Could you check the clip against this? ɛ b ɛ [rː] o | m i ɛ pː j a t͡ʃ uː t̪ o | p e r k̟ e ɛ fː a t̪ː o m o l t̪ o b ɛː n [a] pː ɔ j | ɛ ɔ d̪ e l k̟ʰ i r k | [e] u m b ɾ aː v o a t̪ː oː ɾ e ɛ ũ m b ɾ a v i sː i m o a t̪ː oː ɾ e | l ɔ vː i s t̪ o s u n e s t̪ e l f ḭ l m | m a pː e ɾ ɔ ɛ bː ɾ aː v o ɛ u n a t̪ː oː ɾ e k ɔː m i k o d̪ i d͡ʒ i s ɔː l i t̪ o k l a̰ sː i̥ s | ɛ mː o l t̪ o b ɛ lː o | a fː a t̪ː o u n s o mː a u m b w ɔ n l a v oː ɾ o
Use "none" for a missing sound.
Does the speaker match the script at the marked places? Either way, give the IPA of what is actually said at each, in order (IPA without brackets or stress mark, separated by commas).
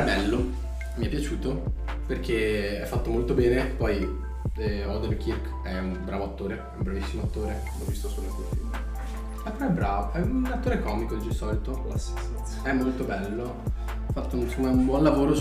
lː, e, ɛ